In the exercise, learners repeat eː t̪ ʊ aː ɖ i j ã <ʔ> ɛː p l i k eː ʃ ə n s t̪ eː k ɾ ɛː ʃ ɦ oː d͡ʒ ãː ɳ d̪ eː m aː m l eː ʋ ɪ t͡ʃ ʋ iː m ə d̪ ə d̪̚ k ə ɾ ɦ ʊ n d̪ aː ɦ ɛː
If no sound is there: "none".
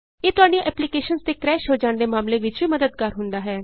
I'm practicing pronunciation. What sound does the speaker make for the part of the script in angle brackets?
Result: ʔ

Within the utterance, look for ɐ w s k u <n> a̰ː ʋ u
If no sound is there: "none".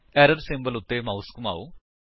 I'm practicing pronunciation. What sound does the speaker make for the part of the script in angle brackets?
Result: m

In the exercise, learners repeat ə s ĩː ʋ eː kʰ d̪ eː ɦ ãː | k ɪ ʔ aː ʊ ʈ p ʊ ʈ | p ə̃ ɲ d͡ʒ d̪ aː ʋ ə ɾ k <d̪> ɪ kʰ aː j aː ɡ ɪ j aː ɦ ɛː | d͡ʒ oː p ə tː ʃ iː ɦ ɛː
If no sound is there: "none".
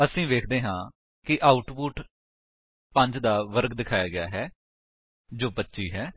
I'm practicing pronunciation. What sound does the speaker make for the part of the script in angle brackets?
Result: d̪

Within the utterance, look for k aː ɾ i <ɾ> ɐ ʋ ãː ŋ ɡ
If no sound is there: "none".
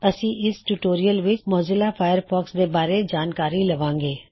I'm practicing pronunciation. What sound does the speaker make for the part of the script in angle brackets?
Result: l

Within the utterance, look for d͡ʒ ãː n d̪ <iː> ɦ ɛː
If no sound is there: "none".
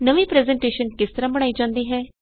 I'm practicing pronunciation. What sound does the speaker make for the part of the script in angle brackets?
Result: iː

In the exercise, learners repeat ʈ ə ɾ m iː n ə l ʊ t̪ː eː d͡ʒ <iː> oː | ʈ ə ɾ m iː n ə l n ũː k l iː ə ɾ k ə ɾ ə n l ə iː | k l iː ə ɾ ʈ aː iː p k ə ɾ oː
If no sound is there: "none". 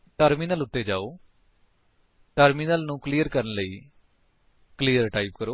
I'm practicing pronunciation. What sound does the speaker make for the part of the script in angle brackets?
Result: aː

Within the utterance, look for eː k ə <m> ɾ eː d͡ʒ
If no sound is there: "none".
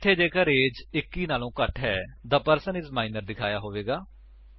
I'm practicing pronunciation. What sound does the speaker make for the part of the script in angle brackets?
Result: none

